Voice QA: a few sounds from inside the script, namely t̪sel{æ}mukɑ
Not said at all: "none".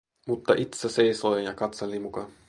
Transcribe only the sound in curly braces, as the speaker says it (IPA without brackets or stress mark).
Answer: i